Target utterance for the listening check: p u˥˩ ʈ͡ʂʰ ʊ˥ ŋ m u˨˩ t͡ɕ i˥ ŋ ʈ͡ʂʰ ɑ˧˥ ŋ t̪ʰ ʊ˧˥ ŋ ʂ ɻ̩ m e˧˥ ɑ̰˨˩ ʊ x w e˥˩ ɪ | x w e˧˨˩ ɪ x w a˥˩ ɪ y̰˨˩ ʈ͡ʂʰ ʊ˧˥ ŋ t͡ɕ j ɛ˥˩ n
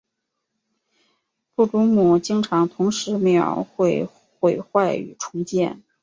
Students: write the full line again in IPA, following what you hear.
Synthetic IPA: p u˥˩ ʈ͡ʂ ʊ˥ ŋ m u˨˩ t͡ɕ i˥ ŋ ʈ͡ʂʰ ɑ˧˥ ŋ t̪ʰ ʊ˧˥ ŋ ʂ ɻ̩ m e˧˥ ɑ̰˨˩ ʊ x w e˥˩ ɪ | x w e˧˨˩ ɪ x w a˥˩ ɪ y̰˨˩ ʈ͡ʂʰ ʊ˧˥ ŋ t͡ɕ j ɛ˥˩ n